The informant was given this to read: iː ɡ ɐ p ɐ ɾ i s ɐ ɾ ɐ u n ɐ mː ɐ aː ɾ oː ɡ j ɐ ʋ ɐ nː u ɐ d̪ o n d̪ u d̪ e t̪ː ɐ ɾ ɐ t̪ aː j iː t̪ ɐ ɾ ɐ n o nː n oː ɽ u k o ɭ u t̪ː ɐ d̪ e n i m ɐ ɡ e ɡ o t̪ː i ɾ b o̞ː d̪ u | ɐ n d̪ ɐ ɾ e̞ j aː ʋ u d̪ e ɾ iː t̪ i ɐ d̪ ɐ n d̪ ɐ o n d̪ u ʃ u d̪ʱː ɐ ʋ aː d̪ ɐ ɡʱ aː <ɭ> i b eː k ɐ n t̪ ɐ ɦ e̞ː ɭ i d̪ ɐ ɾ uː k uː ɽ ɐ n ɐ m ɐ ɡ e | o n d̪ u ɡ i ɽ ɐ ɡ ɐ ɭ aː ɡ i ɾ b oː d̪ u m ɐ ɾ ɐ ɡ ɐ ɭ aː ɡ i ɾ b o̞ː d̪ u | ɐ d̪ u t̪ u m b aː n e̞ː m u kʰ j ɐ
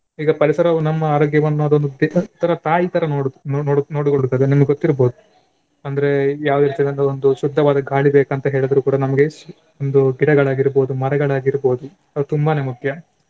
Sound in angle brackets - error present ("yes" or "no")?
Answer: no